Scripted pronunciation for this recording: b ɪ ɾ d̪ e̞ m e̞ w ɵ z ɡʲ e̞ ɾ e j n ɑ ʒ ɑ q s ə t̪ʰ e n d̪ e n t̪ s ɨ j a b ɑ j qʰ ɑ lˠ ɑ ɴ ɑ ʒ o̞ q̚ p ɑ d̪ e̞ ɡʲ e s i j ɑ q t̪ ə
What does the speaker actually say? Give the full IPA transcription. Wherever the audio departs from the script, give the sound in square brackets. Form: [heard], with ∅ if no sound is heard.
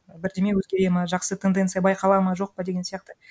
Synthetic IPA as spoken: b ɪ ɾ d̪ e̞ m e̞ w ɵ z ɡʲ e̞ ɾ e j [m] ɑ ʒ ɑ q s ə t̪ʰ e n d̪ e n t̪ s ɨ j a b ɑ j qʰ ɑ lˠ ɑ [m] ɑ ʒ o̞ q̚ p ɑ d̪ e̞ ɡʲ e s i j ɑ q t̪ ə

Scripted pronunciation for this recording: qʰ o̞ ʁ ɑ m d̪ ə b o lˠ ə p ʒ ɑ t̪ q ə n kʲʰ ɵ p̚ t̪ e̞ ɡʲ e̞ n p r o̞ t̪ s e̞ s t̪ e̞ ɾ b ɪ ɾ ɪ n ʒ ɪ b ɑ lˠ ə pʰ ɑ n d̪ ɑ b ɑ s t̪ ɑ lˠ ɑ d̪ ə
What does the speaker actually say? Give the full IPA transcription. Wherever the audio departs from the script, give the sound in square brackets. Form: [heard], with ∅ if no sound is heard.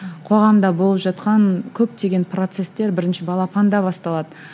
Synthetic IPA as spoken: qʰ o̞ ʁ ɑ m d̪ [ɑ] b o lˠ ə p ʒ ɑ t̪ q [ɑ] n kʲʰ ɵ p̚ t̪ e̞ ɡʲ e̞ n p r o̞ t̪ s e̞ s t̪ e̞ ɾ b ɪ ɾ ɪ n [ʃ] ɪ b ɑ lˠ [ɑ] pʰ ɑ n d̪ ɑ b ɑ s t̪ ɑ lˠ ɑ d̪ ə

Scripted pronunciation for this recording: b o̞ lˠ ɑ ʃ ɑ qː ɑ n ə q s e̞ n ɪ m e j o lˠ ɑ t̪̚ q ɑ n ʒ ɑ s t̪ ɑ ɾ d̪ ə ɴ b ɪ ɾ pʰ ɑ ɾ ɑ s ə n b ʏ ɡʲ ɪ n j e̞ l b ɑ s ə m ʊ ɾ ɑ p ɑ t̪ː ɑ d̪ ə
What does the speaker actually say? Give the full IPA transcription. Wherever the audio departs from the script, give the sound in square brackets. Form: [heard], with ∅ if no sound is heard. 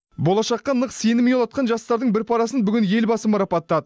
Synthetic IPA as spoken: b o̞ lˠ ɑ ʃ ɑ qː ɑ n ə q s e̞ n ɪ m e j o lˠ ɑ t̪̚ q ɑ n ʒ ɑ s t̪ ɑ ɾ d̪ ə ɴ b ɪ ɾ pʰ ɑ ɾ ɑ s ə n b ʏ ɡʲ ɪ n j e̞ l b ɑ s ə m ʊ ɾ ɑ p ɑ t̪ː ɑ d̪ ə

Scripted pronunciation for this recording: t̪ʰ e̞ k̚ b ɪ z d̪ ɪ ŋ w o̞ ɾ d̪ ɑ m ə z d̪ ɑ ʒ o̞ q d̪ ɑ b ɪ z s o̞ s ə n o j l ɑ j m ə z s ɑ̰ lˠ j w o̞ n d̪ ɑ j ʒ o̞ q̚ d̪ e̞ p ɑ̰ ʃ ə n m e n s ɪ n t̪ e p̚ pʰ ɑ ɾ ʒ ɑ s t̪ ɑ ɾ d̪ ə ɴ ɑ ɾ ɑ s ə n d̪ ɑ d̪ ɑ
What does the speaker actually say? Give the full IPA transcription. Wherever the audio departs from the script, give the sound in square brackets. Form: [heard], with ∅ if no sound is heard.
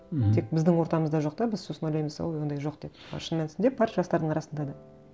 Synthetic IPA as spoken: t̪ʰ e̞ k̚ b ɪ z d̪ ɪ ŋ w o̞ ɾ [t̪] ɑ m ə z d̪ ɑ ʒ o̞ q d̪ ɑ b ɪ z s o̞ s ə n o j l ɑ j m ə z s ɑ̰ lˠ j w o̞ n d̪ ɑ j ʒ o̞ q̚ d̪ e̞ p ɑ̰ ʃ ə n m e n s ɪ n [d̪] e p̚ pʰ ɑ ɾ ʒ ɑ s t̪ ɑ ɾ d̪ ə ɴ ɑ ɾ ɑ s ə n d̪ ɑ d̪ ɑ

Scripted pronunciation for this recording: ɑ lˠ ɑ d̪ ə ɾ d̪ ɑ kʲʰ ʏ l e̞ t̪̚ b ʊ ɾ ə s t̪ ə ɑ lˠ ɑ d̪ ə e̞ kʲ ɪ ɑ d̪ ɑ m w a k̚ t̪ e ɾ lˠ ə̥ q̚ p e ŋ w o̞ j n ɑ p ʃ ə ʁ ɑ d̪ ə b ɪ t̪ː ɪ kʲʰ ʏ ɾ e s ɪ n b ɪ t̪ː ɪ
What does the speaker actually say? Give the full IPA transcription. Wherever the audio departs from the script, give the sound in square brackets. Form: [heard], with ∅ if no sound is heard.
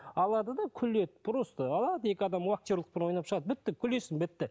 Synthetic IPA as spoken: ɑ lˠ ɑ d̪ ə [∅] d̪ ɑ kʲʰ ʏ l e̞ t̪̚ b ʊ ɾ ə s t̪ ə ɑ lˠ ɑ d̪ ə e̞ kʲ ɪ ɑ d̪ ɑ m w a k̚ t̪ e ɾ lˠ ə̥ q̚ p e [n] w o̞ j n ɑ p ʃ ə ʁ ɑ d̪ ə b ɪ t̪ː ɪ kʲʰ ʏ [l] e s ɪ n b ɪ t̪ː ɪ

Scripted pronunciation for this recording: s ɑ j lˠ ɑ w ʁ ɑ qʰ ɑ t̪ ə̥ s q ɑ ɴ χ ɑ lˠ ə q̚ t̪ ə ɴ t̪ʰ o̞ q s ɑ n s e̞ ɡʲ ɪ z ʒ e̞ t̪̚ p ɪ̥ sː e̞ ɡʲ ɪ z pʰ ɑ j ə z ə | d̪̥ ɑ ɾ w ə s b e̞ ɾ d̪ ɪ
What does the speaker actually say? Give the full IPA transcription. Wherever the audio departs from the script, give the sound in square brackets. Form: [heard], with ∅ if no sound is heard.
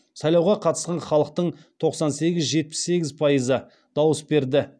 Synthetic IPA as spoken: s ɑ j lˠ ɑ w ʁ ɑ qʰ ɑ t̪ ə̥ s q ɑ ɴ χ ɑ lˠ ə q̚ t̪ ə ɴ t̪ʰ o̞ q s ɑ n s e̞ ɡʲ ɪ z ʒ e̞ t̪̚ p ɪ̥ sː e̞ ɡʲ ɪ z pʰ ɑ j ə z ə | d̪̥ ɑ [∅] w ə s b e̞ ɾ d̪ ɪ

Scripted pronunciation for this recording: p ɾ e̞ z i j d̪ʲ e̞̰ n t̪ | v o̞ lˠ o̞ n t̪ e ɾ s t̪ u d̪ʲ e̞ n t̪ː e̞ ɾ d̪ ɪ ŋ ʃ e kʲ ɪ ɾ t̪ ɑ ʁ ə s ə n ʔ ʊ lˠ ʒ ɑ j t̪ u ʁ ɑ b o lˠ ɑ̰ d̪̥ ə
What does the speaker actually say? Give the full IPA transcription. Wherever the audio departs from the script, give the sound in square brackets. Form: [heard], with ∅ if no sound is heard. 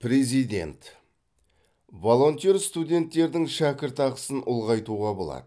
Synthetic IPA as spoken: p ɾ e̞ z i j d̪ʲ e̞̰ n t̪ | v o̞ lˠ o̞ n t̪ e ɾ s t̪ u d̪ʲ e̞ n t̪ː e̞ ɾ d̪ ɪ ŋ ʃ [æ] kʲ ɪ ɾ t̪ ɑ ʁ ə s ə n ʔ ʊ lˠ [ʁ] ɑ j t̪ u ʁ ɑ b o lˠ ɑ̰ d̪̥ ə

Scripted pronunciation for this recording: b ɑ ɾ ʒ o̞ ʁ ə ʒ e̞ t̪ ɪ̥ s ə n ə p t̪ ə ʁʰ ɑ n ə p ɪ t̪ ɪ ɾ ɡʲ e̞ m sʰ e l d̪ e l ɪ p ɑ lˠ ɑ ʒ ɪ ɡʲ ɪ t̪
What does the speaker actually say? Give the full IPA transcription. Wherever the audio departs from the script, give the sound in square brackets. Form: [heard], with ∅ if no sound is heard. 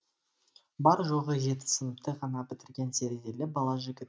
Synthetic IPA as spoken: b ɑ ɾ ʒ o̞ ʁ ə ʒ e̞ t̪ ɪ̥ s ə n ə p t̪ ə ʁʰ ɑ n [ɑ] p ɪ t̪ ɪ ɾ ɡʲ e̞ [n] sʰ e [ɾ] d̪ e l ɪ [b] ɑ lˠ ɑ ʒ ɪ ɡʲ ɪ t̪

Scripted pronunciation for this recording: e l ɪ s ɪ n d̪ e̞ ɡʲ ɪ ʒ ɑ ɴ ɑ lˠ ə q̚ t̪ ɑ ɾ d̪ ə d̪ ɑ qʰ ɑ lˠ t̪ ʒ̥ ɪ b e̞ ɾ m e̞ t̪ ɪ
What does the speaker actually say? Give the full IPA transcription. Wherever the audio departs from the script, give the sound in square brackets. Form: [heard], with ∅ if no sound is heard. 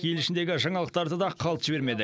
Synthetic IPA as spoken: e l ɪ [ʃ] ɪ n d̪ e̞ ɡʲ ɪ ʒ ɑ ɴ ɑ lˠ ə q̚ t̪ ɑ ɾ d̪ ə d̪ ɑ qʰ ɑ lˠ t̪ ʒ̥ ɪ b e̞ ɾ m e̞ [d̪] ɪ

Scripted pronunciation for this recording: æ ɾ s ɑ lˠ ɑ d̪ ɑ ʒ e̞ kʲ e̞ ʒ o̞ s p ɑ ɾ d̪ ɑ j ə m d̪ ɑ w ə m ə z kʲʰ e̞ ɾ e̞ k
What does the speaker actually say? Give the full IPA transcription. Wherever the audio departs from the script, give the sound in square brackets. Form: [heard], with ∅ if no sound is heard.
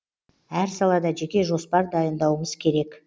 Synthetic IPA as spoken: æ ɾ s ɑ lˠ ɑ d̪ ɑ ʒ e̞ kʲ e̞ ʒ o̞ s p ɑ ɾ d̪ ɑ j ə [n] d̪ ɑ w ə m ə z kʲʰ e̞ ɾ e̞ k

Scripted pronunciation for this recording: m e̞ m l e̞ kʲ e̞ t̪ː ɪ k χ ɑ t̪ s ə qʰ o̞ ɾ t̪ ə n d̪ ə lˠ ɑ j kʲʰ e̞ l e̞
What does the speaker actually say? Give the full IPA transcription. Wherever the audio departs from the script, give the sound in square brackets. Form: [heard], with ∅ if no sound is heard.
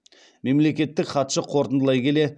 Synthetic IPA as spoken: m e̞ m l e̞ kʲ e̞ t̪ː ɪ k χ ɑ t̪ [ʃ] ə qʰ o̞ ɾ t̪ ə n d̪ ə lˠ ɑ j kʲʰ e̞ l e̞

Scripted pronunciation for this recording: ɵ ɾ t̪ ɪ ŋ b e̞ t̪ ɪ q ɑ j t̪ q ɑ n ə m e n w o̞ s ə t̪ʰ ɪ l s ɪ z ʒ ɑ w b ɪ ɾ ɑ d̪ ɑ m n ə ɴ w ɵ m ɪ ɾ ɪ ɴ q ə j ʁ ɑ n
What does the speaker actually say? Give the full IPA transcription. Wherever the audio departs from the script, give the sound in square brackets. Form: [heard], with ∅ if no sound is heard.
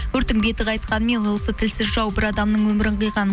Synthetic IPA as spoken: ɵ ɾ t̪ ɪ ŋ b e̞ t̪ ɪ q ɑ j t̪ q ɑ n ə m e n w o̞ s ə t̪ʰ ɪ l s ɪ z ʒ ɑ w b ɪ ɾ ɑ d̪ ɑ m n ə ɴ w ɵ m ɪ ɾ ɪ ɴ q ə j ʁ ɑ n

